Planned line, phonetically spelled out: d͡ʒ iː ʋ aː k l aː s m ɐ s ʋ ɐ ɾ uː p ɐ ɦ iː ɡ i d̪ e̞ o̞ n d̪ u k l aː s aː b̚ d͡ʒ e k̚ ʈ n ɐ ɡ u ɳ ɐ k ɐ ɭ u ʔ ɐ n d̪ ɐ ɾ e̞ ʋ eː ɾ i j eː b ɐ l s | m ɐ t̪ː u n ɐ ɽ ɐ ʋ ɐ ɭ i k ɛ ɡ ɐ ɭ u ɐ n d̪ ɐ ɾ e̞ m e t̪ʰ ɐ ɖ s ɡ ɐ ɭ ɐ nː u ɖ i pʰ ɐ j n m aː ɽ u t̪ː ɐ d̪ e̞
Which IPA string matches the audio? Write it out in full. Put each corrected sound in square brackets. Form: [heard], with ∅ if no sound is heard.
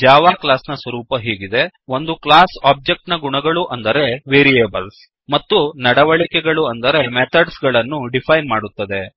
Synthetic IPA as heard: d͡ʒ [aː] ʋ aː k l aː s [n] ɐ s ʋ ɐ ɾ uː p ɐ ɦ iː ɡ i d̪ e̞ o̞ n d̪ u k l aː s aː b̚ d͡ʒ e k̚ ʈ n ɐ ɡ u ɳ ɐ [ɡ] ɐ ɭ u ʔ ɐ n d̪ ɐ ɾ e̞ ʋ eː ɾ i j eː b ɐ l s | m ɐ t̪ː u n ɐ ɽ ɐ ʋ ɐ ɭ i k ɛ ɡ ɐ ɭ u ɐ n d̪ ɐ ɾ e̞ m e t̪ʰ ɐ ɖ s ɡ ɐ ɭ ɐ nː u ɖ i pʰ ɐ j n m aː ɽ u t̪ː ɐ d̪ e̞